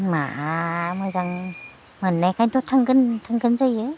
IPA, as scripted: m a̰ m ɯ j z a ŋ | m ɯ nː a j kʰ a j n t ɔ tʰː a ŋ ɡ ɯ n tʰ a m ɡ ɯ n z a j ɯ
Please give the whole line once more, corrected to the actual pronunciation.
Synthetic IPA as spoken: m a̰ m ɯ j z a ŋ | m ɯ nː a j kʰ a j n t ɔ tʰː a ŋ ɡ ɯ n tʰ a ŋ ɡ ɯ n z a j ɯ